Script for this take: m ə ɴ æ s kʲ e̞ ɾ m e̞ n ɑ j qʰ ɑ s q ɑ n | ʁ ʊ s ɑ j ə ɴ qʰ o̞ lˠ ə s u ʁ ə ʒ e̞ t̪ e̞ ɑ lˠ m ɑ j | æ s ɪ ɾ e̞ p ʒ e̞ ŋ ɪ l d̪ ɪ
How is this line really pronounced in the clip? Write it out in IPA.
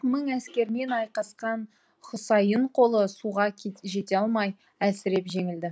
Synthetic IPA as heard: m ə ɴ æ s kʲ e̞ ɾ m e̞ n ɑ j q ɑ s q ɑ n | χ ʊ s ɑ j ə ɴ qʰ o̞ lˠ ə s u ʁ ɑ ʒ e̞ t̪ e̞ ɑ lˠ m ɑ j | æ s ɪ ɾ e̞ p ʒ e̞ ŋ ɪ l d̪ ɪ